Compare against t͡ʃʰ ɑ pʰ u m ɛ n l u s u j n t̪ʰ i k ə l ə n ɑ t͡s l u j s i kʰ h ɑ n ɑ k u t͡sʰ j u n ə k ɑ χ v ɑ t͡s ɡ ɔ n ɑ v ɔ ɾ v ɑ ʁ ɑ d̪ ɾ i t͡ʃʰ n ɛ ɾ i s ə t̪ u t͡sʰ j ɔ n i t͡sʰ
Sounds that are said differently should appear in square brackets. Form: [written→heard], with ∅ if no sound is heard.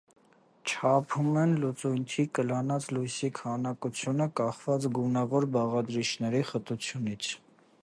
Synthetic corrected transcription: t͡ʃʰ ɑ pʰ u m ɛ n l u [s→t͡s] u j n t̪ʰ i k ə l [ə→ɑ] n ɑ t͡s l u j s i kʰ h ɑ n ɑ k u t͡sʰ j u n ə k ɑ χ v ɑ t͡s ɡ [ɔ→u] n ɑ v ɔ ɾ [v→b] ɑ ʁ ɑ d̪ ɾ i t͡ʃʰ n ɛ ɾ i [s→χ] ə t̪ u t͡sʰ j [ɔ→u] n i t͡sʰ